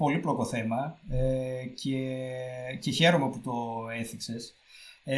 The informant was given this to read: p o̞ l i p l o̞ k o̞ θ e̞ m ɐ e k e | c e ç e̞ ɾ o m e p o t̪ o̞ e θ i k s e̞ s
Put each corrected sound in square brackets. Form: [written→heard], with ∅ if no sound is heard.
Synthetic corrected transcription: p o̞ l i p l o̞ k o̞ θ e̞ m ɐ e [k→c] e | c e ç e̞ ɾ o m e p [o→u] t̪ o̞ e θ i k s e̞ s